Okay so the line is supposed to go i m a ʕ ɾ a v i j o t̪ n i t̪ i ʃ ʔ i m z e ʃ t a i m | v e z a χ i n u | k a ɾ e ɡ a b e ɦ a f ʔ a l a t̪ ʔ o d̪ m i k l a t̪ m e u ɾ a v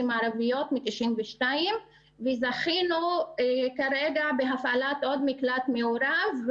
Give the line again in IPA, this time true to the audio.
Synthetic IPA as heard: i m a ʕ ɾ a v i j o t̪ m i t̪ i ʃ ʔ i m v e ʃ t a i m | v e z a χ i n u | k a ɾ e ɡ a b e ɦ a f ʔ a l a t̪ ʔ o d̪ m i k l a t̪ m e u ɾ a v